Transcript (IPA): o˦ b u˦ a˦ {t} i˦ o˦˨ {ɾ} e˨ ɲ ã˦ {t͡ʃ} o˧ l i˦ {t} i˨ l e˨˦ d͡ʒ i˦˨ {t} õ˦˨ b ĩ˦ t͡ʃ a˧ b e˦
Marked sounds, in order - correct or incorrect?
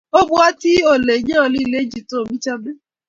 correct, incorrect: l, incorrect: none, incorrect: none, correct

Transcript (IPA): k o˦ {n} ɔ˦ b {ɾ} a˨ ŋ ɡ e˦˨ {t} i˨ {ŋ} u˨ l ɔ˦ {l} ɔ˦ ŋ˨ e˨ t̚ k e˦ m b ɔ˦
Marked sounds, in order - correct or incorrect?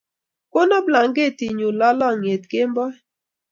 correct, incorrect: l, correct, incorrect: ɲ, correct

